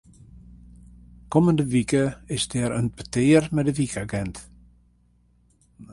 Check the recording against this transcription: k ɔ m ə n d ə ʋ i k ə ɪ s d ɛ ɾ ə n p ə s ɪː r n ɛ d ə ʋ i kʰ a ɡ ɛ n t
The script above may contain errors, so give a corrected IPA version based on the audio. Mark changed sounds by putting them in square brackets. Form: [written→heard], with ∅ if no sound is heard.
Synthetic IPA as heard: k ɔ m ə n d ə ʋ i k ə ɪ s d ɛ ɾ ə n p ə [s→t] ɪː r [n→m] ɛ d ə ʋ i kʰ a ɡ ɛ n t